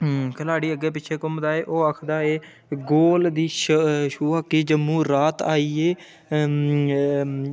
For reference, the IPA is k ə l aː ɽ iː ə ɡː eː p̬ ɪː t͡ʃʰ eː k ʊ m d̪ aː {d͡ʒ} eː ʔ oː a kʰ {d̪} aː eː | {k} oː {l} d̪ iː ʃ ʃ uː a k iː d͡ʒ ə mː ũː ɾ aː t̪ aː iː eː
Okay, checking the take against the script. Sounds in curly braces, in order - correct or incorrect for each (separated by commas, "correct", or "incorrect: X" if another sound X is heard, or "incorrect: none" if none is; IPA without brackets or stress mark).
incorrect: none, correct, incorrect: ɡ, correct